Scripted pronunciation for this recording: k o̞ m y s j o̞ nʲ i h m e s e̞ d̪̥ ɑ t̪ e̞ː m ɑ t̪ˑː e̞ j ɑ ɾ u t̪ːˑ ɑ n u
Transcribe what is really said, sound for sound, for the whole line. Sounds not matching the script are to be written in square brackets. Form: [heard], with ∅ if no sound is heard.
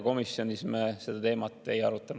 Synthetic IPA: k o̞ m [i] s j o̞ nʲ i [s] m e s e̞ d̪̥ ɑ t̪ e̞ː m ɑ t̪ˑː e̞ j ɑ ɾ u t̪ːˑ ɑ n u